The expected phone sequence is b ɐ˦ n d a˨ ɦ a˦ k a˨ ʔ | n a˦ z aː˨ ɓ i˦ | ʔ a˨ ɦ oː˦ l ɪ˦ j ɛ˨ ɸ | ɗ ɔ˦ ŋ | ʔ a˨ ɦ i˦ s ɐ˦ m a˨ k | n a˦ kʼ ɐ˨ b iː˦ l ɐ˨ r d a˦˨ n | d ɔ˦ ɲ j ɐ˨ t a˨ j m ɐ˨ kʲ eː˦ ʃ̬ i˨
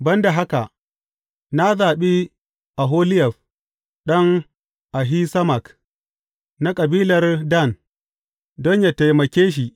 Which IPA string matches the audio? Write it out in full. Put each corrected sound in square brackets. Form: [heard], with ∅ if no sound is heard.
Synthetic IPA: b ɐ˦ n d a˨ ɦ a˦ k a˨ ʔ | n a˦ z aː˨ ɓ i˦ | ʔ a˨ ɦ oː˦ l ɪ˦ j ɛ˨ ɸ | ɗ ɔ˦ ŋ | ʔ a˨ ɦ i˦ s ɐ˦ m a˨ k | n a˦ kʼ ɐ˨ b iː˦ l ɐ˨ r d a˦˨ n | d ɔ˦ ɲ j [a˨] t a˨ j m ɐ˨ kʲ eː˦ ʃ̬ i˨